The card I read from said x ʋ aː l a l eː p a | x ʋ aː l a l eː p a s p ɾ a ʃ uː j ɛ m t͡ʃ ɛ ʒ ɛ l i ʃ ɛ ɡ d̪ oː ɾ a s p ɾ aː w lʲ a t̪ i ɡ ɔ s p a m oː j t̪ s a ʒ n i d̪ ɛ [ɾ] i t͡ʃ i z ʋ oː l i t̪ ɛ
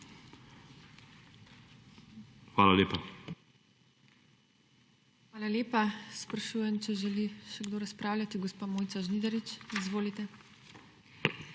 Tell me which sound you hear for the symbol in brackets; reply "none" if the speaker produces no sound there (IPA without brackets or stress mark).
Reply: ɾ